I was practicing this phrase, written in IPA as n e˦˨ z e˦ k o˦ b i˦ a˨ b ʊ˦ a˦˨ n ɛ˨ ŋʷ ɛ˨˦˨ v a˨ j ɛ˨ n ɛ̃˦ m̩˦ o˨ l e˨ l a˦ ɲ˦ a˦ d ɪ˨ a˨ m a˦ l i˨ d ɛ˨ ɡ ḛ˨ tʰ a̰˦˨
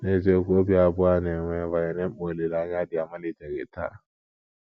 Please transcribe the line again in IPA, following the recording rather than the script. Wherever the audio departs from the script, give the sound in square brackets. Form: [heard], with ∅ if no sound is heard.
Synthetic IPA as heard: n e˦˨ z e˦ k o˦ b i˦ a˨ b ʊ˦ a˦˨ n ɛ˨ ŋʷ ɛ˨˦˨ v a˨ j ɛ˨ n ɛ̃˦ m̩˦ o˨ l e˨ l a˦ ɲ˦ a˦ d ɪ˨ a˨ m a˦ l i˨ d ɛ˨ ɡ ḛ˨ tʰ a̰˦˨